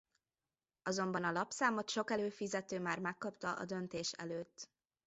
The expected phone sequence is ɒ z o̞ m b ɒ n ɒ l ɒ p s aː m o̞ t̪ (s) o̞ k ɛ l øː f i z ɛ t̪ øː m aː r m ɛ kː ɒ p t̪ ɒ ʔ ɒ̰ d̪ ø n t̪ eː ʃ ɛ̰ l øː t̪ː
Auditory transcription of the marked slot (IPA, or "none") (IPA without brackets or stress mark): ʃ